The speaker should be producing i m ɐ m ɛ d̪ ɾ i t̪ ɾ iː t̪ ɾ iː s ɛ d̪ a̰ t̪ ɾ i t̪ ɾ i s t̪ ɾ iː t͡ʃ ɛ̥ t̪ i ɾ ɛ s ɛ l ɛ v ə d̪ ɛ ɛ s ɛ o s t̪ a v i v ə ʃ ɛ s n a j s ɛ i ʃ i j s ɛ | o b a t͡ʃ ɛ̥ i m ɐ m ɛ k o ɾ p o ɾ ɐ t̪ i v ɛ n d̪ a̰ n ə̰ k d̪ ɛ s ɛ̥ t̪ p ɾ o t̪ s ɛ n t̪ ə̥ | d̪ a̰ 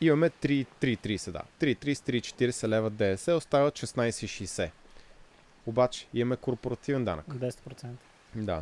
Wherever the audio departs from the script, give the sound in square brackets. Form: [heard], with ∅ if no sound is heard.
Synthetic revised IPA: i m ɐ m ɛ [t̪] ɾ i t̪ ɾ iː t̪ ɾ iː s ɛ d̪ a̰ t̪ ɾ i t̪ ɾ i s t̪ ɾ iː t͡ʃ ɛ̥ t̪ i ɾ ɛ s ɛ l ɛ v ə d̪ ɛ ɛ s ɛ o s t̪ a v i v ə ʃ ɛ s n a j s ɛ i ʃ i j s ɛ | o b a t͡ʃ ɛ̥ i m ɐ m ɛ k o ɾ p o ɾ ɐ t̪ i v ɛ n d̪ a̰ n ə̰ k d̪ ɛ s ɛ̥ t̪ p ɾ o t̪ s ɛ n t̪ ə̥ | d̪ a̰